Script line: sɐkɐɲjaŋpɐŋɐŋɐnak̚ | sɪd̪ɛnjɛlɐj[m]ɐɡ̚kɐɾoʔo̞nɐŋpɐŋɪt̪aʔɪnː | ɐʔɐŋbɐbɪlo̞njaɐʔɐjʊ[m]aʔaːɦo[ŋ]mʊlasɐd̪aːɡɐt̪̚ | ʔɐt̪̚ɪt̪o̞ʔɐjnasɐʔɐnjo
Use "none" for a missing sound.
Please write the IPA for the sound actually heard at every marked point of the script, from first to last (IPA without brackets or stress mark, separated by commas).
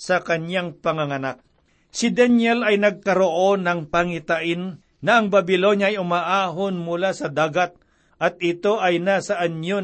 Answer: n, m, n